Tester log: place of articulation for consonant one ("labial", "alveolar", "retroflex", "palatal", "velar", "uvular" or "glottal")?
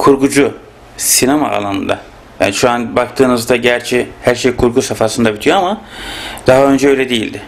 velar